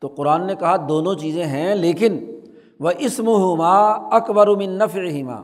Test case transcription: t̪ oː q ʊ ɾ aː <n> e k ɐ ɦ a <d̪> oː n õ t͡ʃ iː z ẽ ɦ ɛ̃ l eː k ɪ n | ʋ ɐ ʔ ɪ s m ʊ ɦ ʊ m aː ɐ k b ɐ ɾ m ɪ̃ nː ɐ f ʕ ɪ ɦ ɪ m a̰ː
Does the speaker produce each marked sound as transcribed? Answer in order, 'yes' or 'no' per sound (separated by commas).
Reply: no, yes